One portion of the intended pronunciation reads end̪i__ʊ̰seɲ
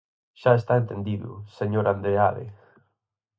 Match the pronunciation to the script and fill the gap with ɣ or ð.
ð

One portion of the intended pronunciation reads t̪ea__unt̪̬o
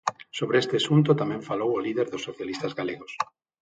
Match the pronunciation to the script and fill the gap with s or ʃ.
s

